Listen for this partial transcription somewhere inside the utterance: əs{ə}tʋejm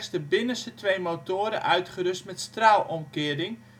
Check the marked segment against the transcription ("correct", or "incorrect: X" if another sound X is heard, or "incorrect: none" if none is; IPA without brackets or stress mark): correct